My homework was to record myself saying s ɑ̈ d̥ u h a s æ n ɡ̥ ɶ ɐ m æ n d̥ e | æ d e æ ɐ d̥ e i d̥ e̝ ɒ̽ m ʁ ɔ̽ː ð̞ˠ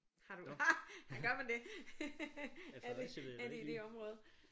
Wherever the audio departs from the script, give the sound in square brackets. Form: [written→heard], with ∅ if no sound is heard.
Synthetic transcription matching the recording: [s→h] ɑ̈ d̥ u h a [s→h] æ n ɡ̥ ɶ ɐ m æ n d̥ e | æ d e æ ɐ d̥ e i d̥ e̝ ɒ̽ m ʁ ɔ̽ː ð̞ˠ